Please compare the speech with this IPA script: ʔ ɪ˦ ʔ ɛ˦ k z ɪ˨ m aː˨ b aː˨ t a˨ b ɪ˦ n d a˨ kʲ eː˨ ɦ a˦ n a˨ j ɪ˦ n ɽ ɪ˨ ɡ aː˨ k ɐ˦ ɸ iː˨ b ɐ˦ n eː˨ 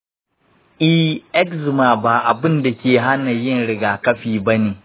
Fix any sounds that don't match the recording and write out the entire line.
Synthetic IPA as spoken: ʔ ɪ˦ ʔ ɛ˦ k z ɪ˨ m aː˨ b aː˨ ʔ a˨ b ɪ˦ n d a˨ kʲ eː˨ ɦ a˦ n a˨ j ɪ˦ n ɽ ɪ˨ ɡ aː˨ k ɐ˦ ɸ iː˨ b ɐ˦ n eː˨